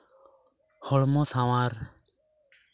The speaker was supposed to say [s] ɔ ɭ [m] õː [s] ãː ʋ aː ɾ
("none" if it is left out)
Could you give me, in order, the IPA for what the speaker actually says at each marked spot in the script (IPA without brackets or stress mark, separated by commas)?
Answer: h, m, s